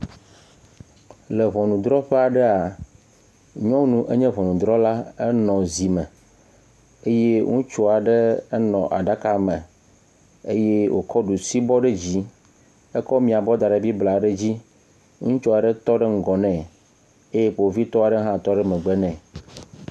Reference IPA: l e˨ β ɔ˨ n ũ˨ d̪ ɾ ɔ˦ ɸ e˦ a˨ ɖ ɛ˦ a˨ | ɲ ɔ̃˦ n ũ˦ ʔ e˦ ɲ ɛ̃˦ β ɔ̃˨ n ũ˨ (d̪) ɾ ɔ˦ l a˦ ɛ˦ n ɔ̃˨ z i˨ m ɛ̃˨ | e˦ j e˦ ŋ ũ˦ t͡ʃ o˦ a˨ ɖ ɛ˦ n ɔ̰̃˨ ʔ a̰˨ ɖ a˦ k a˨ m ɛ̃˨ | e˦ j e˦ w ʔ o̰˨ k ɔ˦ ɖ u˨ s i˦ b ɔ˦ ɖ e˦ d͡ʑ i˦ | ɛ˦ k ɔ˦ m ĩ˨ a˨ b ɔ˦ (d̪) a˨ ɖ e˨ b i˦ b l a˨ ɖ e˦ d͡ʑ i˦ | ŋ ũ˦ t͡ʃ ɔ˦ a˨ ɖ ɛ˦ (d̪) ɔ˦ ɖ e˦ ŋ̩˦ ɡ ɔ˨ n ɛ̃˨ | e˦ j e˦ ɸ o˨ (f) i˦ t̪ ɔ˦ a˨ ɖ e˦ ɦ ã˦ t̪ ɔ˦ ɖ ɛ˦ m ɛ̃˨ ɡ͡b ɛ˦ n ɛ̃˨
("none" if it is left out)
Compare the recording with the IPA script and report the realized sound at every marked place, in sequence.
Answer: d̪, d̪, t̪, v

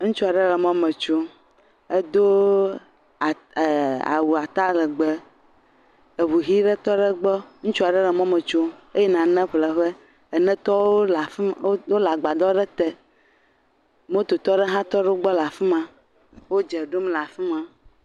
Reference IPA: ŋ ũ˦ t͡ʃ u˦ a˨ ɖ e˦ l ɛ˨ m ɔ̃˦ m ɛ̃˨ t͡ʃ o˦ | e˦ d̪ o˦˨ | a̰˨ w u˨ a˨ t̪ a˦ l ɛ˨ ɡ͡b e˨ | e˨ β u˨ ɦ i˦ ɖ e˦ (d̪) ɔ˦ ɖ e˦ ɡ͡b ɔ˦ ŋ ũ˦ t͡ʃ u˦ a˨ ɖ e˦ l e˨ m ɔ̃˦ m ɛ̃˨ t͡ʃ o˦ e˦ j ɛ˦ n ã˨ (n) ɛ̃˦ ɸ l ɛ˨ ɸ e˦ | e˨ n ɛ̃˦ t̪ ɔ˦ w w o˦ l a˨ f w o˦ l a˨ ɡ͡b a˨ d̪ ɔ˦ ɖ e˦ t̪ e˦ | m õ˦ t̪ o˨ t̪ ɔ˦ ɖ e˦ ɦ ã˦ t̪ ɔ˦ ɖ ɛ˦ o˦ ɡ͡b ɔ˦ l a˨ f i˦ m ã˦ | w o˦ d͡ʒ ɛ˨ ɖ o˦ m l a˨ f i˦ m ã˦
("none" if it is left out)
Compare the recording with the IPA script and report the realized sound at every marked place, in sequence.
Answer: t̪, n

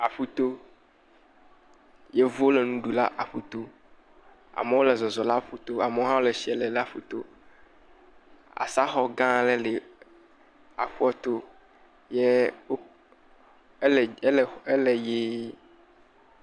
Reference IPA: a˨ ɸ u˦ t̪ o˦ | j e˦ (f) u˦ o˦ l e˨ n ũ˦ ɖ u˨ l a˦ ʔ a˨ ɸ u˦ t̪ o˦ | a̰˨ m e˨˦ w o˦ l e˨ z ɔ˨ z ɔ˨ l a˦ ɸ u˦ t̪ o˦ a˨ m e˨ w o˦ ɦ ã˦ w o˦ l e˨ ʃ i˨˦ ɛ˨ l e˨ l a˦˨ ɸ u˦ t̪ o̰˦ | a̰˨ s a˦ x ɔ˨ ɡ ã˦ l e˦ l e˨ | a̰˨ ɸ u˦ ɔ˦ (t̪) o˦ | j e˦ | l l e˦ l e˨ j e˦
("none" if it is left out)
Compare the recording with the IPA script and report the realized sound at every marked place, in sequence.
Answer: v, t̪

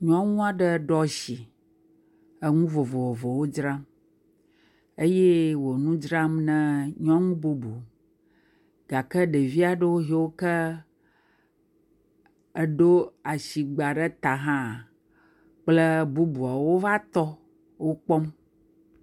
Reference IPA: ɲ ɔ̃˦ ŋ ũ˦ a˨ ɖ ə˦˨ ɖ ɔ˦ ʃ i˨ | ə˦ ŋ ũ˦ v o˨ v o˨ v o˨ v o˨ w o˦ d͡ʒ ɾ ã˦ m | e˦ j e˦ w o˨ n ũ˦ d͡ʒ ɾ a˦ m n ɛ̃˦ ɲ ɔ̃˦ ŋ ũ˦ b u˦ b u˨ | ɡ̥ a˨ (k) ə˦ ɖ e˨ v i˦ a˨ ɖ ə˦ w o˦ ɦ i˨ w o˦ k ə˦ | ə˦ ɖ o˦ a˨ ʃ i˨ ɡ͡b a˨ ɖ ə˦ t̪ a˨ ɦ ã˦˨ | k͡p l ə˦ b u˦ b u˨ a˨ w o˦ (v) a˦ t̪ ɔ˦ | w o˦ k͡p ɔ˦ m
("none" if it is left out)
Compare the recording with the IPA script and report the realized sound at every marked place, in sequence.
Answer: k, v

